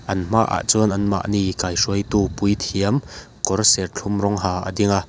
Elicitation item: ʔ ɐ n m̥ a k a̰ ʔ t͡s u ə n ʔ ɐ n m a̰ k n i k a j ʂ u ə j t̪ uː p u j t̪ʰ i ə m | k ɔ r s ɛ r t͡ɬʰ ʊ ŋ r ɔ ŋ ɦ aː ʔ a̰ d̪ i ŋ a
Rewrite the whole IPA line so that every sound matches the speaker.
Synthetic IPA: ʔ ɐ n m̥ a ʔ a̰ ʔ t͡s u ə n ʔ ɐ n m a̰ ʔ n i k a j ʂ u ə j t̪ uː p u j t̪ʰ i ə m | k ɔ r s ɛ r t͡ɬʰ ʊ m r ɔ ŋ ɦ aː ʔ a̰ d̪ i ŋ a